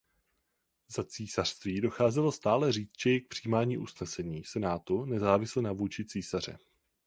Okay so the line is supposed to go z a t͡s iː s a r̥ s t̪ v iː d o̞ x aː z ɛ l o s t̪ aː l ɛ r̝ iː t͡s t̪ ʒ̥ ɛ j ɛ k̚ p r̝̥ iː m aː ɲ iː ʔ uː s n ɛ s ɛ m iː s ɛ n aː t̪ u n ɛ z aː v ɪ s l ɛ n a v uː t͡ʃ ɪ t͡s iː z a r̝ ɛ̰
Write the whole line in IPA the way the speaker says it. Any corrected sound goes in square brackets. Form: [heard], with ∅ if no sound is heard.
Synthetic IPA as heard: z a t͡s iː s a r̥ s t̪ v iː d o̞ x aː z ɛ l o s t̪ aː l ɛ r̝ iː t͡s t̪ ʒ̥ ɛ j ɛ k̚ p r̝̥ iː m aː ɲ iː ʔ [u] s n ɛ s ɛ [ɲ] iː s ɛ n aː t̪ u n ɛ z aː v ɪ s l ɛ n a v uː t͡ʃ ɪ t͡s iː [s] a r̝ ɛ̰